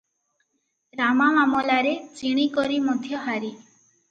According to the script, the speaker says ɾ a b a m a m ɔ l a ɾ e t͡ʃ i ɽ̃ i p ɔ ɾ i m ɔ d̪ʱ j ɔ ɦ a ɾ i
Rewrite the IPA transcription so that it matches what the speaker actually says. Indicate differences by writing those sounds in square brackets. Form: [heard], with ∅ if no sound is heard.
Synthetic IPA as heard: ɾ a [m] a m a m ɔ l a ɾ e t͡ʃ i ɽ̃ i [k] ɔ ɾ i m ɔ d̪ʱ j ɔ ɦ a ɾ i